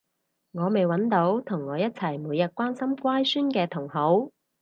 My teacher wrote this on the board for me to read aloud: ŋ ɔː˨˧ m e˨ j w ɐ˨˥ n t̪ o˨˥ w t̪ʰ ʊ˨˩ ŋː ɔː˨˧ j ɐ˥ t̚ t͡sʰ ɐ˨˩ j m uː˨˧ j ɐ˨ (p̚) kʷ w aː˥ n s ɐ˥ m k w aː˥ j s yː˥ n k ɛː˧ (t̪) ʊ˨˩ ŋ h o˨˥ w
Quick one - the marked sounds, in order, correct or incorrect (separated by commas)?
incorrect, incorrect